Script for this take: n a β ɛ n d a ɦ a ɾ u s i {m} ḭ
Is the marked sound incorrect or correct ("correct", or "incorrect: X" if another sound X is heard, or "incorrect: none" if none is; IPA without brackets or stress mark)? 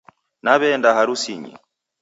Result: incorrect: ɲ